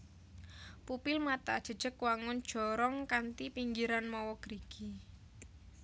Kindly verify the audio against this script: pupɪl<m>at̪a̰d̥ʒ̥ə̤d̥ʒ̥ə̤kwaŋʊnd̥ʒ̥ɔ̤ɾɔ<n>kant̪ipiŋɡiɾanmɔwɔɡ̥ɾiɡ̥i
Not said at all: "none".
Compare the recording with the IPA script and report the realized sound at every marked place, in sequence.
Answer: m, ŋ

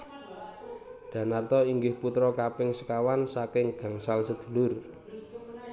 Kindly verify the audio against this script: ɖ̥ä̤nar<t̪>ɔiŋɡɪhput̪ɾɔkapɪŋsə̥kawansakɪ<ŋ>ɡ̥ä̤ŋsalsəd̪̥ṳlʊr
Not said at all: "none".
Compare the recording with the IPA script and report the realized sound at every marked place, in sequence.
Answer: t̪, ŋ

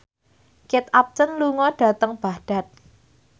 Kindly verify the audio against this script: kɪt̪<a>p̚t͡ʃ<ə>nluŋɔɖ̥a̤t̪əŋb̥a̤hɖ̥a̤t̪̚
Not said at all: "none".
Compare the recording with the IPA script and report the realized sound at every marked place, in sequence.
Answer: a, ə

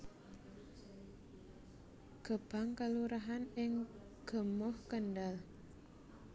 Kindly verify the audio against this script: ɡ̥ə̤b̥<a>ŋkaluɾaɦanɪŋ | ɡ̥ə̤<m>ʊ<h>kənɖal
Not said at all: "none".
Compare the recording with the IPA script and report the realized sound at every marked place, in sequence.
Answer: a, m, h

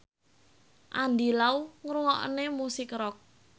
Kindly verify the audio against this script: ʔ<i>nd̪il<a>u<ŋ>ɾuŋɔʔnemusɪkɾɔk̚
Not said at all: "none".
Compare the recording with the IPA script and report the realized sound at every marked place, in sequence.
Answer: a, a, ŋ

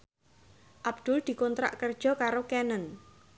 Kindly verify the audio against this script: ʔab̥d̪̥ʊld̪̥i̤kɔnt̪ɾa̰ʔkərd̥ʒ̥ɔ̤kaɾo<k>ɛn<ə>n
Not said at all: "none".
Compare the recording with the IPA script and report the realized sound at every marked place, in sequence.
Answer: k, ə

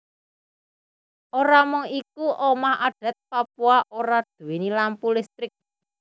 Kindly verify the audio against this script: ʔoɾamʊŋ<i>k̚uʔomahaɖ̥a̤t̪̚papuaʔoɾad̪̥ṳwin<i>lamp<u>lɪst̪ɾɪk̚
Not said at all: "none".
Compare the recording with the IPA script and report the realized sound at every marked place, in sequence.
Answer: i, i, u

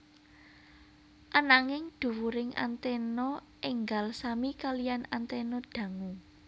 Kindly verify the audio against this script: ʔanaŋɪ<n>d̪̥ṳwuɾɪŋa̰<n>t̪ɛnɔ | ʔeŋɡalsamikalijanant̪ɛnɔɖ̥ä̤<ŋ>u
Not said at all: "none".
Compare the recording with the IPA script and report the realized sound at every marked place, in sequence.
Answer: ŋ, n, ŋ

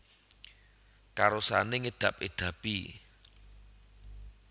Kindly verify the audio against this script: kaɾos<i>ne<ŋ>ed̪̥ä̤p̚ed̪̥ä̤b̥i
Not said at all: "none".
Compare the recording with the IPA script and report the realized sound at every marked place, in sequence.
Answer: a, ŋ

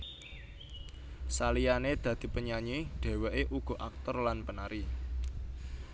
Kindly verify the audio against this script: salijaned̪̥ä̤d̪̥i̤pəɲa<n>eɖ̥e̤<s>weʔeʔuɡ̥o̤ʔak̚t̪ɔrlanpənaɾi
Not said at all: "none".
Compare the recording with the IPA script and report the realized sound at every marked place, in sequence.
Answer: ɲ, none

